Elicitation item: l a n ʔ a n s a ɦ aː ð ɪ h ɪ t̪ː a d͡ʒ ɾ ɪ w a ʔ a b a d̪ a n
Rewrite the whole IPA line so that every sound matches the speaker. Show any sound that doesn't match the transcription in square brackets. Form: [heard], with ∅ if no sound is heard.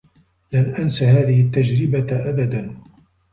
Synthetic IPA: l a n ʔ a n s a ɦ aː ð ɪ h ɪ t̪ː a d͡ʒ ɾ ɪ [b] a ʔ a b a d̪ a n